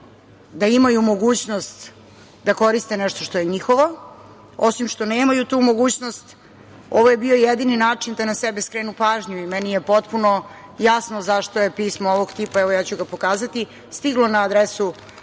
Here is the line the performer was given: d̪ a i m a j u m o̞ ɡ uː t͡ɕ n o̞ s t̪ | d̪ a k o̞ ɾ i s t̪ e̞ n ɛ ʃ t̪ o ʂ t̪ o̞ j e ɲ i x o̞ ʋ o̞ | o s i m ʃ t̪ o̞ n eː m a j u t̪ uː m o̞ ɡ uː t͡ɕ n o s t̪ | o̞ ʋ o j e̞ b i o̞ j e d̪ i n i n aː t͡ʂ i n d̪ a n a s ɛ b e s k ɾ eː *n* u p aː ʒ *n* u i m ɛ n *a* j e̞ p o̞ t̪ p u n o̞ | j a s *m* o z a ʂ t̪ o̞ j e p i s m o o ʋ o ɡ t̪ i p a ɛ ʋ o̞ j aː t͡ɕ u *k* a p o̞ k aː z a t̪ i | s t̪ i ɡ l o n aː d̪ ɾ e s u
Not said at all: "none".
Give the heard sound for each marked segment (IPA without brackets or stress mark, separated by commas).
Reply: n, ɲ, i, n, ɡ